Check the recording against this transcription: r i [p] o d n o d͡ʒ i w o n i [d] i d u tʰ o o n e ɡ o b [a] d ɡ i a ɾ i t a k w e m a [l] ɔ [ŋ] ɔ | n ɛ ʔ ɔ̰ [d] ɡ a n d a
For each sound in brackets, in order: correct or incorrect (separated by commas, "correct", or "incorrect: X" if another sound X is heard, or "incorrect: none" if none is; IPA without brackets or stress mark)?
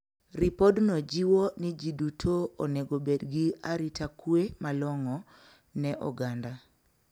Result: correct, incorrect: d͡ʒ, incorrect: e, correct, correct, incorrect: none